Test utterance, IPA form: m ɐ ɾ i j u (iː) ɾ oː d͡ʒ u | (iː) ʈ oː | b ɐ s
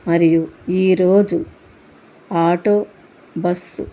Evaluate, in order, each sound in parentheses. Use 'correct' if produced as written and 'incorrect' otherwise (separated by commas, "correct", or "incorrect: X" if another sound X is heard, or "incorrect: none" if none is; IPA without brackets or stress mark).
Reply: correct, incorrect: aː